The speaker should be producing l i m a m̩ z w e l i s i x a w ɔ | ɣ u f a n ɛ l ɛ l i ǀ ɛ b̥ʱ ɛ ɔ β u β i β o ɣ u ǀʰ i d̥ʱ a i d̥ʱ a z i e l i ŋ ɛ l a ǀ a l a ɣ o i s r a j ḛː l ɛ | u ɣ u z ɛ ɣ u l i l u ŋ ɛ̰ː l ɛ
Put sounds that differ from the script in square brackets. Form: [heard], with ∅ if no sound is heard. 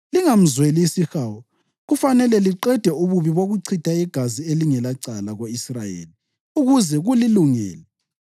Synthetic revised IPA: l i [ŋ] a m̩ z w e l i s i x a w ɔ | ɣ u f a n ɛ l ɛ l i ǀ ɛ [d̥ʱ] ɛ [u] β u β i β o ɣ u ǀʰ i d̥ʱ a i [ɡ̥ʱ] a z i e l i ŋ ɛ l a ǀ a l a ɣ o i s r a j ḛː l [i] | u ɣ u z ɛ ɣ u l i l u ŋ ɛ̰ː l ɛ